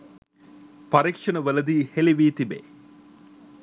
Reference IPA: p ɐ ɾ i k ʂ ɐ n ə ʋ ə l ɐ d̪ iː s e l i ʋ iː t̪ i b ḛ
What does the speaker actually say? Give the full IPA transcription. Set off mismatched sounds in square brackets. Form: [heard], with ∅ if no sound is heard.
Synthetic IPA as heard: p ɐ ɾ i k ʂ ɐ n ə ʋ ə l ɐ d̪ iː [h] e l i ʋ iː t̪ i b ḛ